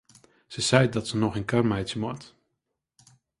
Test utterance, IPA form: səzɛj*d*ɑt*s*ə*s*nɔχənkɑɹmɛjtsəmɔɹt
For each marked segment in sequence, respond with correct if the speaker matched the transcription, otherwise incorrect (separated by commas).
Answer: correct, correct, incorrect